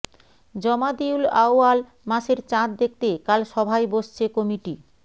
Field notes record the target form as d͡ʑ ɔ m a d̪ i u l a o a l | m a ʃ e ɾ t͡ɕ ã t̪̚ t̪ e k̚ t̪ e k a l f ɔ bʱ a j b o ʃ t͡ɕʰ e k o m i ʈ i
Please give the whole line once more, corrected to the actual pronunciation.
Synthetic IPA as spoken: d͡ʑ ɔ m a d̪ i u l a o a l | m a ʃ e ɾ t͡ɕ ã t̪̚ d̪ e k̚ t̪ e k a l ʃ ɔ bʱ a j b o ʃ t͡ɕʰ e k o m i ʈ i